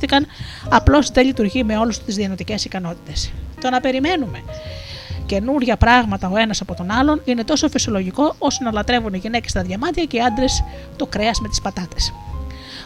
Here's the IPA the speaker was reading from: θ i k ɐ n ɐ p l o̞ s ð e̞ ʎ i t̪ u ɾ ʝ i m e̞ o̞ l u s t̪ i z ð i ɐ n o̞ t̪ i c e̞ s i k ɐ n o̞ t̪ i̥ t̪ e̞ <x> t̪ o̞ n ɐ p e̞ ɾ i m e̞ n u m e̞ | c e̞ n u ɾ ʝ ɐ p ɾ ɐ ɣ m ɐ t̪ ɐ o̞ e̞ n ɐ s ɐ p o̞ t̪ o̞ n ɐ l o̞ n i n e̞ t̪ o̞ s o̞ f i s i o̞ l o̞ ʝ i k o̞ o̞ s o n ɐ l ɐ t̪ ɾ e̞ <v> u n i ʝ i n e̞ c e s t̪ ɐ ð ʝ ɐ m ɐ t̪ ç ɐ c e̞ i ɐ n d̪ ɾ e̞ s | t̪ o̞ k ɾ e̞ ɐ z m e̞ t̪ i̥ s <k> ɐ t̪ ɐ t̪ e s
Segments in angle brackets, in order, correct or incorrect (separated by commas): incorrect, correct, incorrect